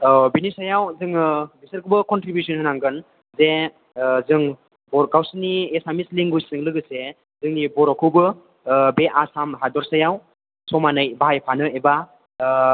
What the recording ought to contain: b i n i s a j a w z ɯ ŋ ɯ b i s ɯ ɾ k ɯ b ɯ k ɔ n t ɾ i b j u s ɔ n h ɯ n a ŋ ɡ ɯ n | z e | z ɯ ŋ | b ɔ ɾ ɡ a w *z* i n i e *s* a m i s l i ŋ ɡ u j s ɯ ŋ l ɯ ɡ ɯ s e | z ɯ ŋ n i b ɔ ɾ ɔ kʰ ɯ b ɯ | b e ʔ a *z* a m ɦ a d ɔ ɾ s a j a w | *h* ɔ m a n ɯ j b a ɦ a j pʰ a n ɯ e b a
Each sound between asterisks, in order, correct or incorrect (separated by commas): incorrect, correct, incorrect, incorrect